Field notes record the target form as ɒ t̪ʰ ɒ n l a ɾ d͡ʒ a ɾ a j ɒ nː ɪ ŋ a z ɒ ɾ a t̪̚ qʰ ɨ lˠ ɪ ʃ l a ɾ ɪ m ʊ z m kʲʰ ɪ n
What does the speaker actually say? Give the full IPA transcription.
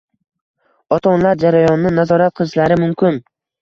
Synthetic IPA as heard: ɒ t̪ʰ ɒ n l a ɾ d͡ʒ a ɾ a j ɒ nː ɪ n a z ɒ ɾ a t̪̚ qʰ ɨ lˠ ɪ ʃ l a ɾ ɪ m ʊ m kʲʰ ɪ n

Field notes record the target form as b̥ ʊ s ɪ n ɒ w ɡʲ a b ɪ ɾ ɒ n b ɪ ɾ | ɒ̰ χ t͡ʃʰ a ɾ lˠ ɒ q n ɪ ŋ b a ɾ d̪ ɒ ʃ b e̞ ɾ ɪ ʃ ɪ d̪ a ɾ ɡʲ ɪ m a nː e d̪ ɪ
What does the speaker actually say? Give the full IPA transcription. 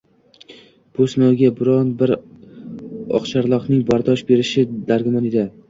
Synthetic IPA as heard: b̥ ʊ s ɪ n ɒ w ɡʲ a b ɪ ɾ ɒ n b ɪ ɾ | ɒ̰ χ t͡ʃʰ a ɾ lˠ ɒ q n ɪ ŋ b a ɾ d̪ ɒ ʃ b e̞ ɾ ɪ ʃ ɪ d̪ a ɾ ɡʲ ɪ m a n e d̪ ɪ

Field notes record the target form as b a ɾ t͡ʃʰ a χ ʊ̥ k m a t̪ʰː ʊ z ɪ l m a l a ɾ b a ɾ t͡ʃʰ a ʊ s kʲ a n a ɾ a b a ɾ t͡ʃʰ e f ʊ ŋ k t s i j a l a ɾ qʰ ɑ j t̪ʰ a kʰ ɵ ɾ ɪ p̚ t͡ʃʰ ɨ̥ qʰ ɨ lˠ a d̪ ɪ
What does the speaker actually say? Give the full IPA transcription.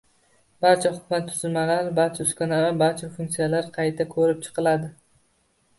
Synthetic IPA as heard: b a ɾ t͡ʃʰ a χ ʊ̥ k m a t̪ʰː ʊ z ɪ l m a l a ɾ b a ɾ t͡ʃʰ a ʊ s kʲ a n a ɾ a b a ɾ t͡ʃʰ a f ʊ ŋ k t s i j a l a ɾ qʰ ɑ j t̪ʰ a kʰ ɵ ɾ ɪ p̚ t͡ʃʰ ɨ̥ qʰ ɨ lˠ a d̪ ɪ

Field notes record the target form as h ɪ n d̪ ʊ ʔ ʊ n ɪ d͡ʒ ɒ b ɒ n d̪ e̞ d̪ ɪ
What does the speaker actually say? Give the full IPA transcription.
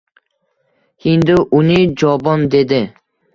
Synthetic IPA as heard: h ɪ n d̪ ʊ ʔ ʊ n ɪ d͡ʒ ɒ b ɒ n d̪ e̞ d̪ ɪ

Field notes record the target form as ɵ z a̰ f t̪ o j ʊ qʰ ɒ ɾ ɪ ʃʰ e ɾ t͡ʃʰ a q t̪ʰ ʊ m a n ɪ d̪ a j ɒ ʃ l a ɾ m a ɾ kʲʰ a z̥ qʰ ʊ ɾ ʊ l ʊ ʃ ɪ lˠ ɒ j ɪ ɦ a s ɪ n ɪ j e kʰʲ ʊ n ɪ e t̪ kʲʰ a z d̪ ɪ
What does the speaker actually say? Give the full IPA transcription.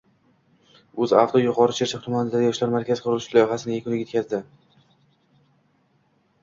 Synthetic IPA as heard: ɵ z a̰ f t̪ o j ʊ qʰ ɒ ɾ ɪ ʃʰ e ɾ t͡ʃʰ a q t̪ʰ ʊ m a n ɪ d̪ a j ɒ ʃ l a ɾ m a ɾ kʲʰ a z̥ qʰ ʊ ɾ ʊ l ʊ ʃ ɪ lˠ ɒ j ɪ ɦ a s ɪ n ɪ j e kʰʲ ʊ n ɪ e t̪ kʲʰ a z d̪ ɪ

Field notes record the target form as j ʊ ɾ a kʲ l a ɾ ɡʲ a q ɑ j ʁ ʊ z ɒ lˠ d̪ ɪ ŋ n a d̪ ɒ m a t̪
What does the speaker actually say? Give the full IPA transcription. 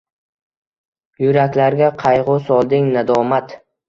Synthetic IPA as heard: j ʊ ɾ a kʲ l a ɾ ɡʲ a qʰ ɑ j ʁ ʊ s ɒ lˠ d̪ ɪ ŋ n a d̪ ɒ m a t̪

